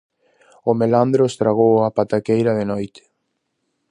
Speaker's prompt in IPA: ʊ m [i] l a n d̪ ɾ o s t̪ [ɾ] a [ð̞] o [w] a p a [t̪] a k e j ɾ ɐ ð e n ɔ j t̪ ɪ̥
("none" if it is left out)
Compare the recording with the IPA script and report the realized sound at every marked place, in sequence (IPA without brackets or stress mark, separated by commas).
e, ɾ, ɣ̞, w, t̪